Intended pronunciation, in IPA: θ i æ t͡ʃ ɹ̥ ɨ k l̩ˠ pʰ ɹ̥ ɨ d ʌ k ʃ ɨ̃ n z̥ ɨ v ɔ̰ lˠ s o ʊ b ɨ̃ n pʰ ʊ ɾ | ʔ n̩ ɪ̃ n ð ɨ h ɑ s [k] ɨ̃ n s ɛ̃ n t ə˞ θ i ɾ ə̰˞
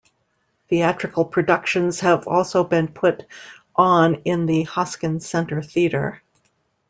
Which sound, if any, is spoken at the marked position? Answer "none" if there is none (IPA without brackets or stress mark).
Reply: k